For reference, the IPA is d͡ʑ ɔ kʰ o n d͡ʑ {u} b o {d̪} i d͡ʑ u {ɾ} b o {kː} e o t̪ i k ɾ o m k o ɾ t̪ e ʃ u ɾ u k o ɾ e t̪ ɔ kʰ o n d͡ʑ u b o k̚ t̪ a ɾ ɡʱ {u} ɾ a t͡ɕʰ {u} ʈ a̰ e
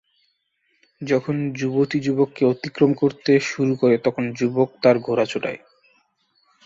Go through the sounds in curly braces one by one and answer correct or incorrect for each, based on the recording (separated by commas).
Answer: correct, incorrect, incorrect, correct, incorrect, incorrect